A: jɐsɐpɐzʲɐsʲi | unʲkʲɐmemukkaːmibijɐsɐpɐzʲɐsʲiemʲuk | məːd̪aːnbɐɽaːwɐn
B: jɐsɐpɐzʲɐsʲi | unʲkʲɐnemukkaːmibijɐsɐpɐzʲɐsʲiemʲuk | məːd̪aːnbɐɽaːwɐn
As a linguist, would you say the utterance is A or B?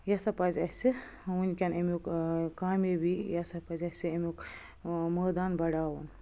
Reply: B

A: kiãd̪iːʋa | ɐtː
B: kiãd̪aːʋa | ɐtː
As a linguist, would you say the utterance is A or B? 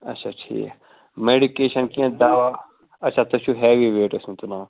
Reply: B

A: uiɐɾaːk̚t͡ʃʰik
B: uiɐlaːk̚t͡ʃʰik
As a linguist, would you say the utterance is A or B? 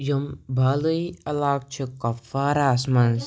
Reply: B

